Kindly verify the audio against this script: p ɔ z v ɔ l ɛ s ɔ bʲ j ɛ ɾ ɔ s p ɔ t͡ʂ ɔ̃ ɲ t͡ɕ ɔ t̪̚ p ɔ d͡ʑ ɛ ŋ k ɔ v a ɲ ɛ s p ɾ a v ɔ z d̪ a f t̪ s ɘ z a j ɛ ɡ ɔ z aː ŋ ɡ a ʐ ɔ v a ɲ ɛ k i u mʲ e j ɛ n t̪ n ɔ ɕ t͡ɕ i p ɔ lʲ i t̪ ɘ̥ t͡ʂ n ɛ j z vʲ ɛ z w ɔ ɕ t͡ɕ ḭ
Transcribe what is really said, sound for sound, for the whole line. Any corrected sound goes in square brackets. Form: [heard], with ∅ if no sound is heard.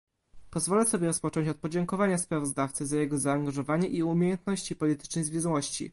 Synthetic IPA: p ɔ z v ɔ l ɛ s ɔ bʲ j ɛ ɾ ɔ s p ɔ t͡ʂ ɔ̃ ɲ t͡ɕ ɔ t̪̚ p ɔ d͡ʑ ɛ ŋ k ɔ v a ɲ [a] s p ɾ a v ɔ z d̪ a f t̪ s ɘ z a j ɛ ɡ ɔ z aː ŋ ɡ a ʐ ɔ v a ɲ ɛ [ʔ] i u mʲ e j ɛ n t̪ n ɔ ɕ t͡ɕ i p ɔ lʲ i t̪ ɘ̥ t͡ʂ n ɛ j z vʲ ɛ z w ɔ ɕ t͡ɕ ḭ